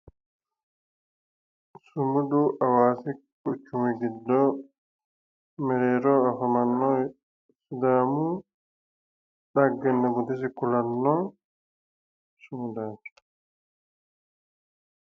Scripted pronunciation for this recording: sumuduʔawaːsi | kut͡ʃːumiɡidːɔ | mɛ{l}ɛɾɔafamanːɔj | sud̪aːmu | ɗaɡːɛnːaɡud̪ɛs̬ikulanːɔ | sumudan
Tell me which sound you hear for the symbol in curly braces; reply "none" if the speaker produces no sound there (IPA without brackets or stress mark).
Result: ɾ